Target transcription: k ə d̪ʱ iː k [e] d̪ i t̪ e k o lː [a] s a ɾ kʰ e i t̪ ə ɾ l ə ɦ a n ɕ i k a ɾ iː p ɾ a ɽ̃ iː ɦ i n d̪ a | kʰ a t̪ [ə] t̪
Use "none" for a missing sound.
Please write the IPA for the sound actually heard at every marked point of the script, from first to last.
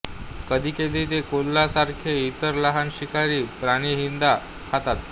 e, a, a

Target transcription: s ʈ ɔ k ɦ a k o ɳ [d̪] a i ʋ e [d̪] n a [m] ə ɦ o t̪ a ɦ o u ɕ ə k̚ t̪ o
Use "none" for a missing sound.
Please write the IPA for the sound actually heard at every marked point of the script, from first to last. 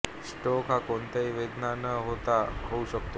t̪, d̪, n

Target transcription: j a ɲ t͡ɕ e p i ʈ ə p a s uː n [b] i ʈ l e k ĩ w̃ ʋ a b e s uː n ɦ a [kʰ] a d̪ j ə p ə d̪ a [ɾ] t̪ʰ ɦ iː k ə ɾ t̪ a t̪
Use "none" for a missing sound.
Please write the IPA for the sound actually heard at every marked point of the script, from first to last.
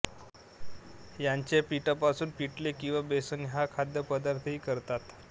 p, kʰ, ɾ

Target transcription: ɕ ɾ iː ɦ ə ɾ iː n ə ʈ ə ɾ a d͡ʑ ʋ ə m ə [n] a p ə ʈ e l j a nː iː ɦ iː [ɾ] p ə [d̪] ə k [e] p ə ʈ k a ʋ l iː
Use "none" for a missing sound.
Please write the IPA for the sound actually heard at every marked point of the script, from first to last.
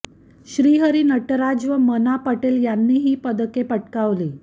n, none, d̪, e

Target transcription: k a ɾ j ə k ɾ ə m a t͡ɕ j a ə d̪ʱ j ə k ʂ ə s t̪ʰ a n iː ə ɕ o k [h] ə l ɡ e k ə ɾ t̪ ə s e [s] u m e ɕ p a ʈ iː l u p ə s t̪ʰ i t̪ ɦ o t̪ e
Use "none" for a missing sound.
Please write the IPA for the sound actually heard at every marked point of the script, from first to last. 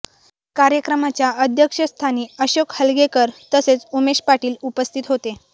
h, t͡s

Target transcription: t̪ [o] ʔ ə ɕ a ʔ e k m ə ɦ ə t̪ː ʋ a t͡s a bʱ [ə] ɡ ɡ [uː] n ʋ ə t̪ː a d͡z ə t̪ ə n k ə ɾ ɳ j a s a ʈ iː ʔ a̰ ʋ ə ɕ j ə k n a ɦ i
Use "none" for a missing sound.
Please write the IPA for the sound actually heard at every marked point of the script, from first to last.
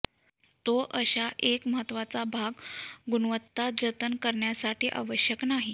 o, a, u

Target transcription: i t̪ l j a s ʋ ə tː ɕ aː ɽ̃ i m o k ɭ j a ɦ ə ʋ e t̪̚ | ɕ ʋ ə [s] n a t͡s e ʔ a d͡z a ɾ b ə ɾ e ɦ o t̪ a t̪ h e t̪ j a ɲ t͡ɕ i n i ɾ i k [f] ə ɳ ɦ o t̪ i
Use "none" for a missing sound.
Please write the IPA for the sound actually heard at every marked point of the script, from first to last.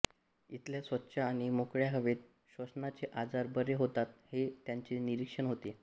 s, ʂ

